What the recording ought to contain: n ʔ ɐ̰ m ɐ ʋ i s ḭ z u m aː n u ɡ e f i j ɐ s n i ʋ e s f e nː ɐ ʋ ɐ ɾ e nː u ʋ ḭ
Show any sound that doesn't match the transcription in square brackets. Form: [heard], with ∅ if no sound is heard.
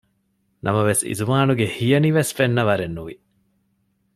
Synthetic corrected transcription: n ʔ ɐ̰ m ɐ ʋ [e] s ḭ z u m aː n u ɡ e [h] i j ɐ [∅] n i ʋ e s f e nː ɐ ʋ ɐ ɾ e nː u ʋ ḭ